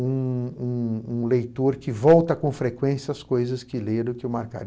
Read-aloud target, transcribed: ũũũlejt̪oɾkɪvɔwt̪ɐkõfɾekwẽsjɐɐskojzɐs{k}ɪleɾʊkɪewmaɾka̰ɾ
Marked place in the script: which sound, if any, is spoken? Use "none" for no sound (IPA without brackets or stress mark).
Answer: k